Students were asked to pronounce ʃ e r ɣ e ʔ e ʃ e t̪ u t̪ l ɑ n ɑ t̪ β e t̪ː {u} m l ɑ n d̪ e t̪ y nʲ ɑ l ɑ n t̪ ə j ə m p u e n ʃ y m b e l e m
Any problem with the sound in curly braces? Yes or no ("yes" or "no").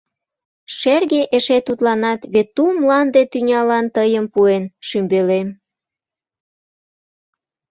no